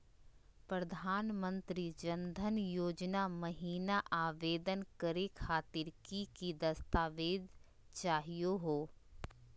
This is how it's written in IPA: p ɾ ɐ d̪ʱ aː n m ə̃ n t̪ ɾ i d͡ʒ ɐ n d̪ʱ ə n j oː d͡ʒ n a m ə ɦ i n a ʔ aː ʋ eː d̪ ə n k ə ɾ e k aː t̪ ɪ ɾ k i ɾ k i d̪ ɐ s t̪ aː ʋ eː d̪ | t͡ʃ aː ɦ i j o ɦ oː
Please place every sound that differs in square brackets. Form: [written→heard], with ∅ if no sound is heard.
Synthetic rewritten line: p ɾ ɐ d̪ʱ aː n m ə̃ n t̪ ɾ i d͡ʒ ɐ n d̪ʱ ə n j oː d͡ʒ n a m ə ɦ [i→iː] n a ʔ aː ʋ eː d̪ ə n k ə ɾ e [k→kʰ] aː t̪ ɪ ɾ k i [ɾ→∅] k i d̪ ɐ s t̪ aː ʋ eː d̪ | t͡ʃ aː ɦ i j o ɦ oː